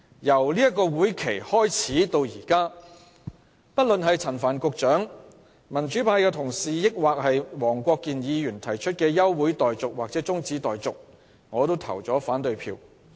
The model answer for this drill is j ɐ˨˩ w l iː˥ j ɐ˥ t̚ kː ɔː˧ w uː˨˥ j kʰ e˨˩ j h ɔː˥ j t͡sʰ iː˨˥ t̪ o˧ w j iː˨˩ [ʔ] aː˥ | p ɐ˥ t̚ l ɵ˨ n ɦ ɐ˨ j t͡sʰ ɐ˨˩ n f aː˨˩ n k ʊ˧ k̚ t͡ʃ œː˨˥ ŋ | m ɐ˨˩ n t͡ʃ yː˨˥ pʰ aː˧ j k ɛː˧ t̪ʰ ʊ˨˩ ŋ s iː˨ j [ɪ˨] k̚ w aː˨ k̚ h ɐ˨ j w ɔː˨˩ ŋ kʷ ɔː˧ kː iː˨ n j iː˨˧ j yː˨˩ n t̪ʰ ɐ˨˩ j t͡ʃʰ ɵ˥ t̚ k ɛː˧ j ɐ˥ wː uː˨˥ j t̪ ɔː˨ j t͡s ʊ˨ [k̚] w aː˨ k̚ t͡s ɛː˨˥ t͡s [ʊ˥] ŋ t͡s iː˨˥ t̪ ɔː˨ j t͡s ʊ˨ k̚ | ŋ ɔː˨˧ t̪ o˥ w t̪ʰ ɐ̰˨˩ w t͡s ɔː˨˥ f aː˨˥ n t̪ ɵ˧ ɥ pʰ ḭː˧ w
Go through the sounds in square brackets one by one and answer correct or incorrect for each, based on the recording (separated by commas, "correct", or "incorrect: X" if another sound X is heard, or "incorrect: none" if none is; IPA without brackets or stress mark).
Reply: incorrect: k, incorrect: ɪ˥, correct, correct